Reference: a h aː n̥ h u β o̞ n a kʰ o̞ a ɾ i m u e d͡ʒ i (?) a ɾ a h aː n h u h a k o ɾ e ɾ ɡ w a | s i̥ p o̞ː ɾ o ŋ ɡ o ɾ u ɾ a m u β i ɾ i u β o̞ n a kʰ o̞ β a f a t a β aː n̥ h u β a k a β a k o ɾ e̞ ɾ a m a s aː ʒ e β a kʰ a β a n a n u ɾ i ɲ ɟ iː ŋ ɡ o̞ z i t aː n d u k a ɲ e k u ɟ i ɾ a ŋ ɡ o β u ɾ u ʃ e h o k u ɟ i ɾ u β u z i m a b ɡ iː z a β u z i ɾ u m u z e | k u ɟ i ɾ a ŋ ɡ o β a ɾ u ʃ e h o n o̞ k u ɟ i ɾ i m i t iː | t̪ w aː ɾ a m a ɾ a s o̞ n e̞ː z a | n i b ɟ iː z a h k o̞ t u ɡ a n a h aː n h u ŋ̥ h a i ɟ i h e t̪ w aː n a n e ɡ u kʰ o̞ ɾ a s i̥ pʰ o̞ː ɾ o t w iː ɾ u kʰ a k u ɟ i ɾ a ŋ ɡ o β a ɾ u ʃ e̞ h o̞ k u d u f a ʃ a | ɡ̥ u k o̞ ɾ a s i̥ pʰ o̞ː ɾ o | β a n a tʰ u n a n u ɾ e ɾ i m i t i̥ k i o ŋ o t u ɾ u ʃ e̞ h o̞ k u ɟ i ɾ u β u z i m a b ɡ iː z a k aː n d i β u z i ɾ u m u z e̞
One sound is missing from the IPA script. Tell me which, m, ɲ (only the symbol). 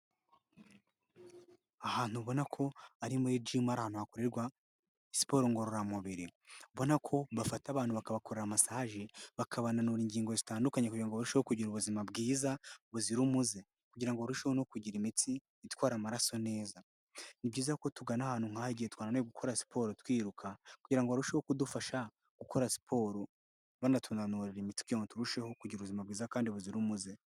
m